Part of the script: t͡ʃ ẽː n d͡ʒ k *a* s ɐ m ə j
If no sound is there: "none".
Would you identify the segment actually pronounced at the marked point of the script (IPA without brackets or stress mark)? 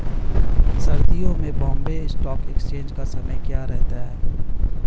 a